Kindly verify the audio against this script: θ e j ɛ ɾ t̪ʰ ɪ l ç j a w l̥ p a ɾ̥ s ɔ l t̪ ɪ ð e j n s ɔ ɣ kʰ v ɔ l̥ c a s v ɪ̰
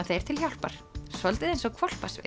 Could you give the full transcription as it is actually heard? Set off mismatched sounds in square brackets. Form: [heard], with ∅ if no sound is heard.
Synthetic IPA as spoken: θ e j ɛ ɾ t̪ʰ ɪ l ç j a w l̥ p a ɾ̥ s ɔ l t̪ ɪ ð e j n s ɔ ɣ kʰ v ɔ l̥ [p] a s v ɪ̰